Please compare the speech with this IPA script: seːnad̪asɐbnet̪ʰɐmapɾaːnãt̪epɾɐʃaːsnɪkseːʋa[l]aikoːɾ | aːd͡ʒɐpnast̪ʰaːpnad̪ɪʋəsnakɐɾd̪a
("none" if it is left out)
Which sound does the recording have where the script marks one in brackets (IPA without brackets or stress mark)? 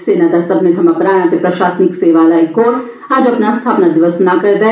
l